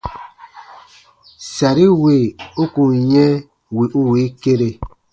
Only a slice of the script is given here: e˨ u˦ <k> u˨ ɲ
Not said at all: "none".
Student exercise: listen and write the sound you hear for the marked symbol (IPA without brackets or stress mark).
k